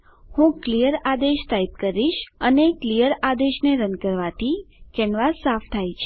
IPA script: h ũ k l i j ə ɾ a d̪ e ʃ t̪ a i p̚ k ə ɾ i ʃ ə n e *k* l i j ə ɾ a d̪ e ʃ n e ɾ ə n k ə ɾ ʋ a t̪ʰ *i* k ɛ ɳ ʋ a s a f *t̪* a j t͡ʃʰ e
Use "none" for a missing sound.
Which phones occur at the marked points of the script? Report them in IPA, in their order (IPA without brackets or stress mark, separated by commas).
k, i, t̪ʰ